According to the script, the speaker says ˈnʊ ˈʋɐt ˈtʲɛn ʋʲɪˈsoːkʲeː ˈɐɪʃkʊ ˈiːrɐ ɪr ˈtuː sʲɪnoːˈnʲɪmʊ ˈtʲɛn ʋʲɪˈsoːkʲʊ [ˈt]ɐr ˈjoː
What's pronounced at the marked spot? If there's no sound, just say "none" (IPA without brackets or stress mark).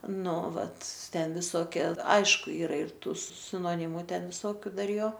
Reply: d